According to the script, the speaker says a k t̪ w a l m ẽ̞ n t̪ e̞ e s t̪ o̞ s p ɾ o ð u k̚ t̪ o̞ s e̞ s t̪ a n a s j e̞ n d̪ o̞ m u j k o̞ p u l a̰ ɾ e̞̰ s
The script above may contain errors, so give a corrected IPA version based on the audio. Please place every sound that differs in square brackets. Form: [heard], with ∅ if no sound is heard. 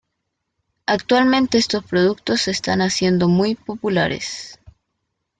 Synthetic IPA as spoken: a k t̪ w a l m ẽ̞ n t̪ e̞ e s t̪ o̞ s p ɾ o ð u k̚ t̪ o̞ s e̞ s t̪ a n a s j e̞ n d̪ o̞ m u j [p] o̞ p u l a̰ ɾ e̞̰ s